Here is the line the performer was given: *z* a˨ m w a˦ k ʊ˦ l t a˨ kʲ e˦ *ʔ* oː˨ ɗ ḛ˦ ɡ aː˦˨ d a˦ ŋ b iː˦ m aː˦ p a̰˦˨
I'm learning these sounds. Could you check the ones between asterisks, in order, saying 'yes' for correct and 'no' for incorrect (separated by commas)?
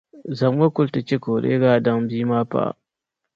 yes, no